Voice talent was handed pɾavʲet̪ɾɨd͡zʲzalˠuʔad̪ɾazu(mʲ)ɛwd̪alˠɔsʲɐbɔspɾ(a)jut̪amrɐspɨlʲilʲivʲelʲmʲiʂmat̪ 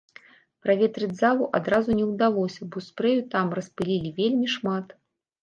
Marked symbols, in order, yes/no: no, no

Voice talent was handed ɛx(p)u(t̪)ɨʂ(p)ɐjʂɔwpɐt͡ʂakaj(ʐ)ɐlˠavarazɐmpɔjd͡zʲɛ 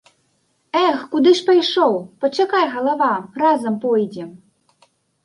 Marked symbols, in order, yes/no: no, no, yes, no

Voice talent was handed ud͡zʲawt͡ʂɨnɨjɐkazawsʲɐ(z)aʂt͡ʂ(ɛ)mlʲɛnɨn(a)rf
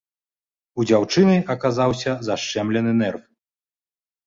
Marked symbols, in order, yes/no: yes, yes, no

